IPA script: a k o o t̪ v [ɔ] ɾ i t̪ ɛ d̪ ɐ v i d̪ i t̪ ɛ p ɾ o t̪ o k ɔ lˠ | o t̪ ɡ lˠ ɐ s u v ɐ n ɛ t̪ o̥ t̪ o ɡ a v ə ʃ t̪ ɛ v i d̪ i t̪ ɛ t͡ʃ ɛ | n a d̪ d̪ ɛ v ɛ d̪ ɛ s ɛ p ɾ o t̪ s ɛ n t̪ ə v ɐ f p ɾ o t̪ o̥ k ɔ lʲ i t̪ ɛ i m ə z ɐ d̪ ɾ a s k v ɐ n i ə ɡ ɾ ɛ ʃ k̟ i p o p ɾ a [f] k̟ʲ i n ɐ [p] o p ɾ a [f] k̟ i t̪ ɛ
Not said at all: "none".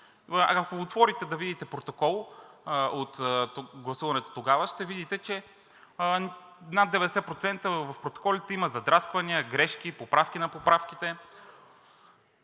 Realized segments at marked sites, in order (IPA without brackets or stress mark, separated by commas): ɔ, f, p, f